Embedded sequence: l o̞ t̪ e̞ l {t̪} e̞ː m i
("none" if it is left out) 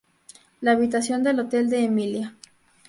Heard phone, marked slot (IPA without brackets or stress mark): d̪